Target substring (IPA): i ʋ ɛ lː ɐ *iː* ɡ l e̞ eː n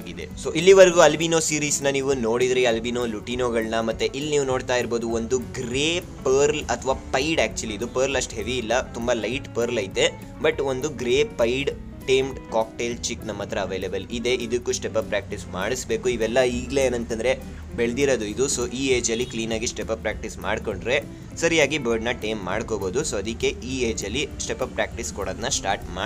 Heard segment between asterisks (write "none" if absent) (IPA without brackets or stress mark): iː